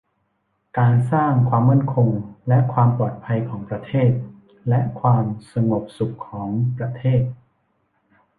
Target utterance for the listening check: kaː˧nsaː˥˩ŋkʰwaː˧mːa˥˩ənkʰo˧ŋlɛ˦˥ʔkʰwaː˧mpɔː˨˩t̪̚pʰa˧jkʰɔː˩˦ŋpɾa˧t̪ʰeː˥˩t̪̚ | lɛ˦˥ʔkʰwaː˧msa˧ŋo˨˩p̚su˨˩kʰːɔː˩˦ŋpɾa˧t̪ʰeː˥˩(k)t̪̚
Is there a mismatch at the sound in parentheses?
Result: yes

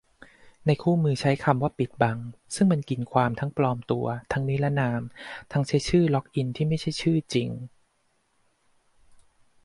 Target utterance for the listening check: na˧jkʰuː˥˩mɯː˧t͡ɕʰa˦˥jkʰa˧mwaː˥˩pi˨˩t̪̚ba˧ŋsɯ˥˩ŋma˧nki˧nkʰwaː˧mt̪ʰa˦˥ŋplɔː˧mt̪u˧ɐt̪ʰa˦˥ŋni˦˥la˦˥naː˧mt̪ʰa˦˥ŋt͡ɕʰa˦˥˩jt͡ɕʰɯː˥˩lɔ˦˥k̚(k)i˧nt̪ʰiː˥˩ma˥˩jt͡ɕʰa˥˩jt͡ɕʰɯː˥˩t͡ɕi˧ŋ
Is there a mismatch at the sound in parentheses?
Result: yes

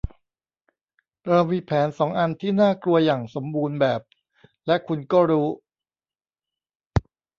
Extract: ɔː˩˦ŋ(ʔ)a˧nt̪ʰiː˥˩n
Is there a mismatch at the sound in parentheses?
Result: no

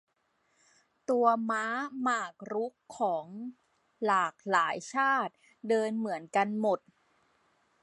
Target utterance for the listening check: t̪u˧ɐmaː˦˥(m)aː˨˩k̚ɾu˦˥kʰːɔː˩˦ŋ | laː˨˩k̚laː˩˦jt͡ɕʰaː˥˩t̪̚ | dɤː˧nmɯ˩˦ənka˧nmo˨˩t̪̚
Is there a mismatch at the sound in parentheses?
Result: no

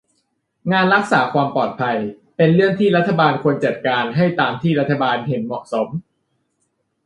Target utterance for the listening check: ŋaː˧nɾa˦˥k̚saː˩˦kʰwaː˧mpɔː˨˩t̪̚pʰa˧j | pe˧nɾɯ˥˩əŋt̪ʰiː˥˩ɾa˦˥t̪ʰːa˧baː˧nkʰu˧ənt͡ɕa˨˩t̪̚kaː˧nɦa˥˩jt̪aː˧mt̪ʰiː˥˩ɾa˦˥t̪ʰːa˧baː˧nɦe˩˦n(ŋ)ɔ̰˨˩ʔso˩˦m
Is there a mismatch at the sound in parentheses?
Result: yes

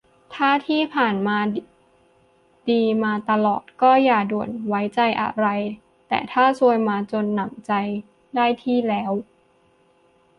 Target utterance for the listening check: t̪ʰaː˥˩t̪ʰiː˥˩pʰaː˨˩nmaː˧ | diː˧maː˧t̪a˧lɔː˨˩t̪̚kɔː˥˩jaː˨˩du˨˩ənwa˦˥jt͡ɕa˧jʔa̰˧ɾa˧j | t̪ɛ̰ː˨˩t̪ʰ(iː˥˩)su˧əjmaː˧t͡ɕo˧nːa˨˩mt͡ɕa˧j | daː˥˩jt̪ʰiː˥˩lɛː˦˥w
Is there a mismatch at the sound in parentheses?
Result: yes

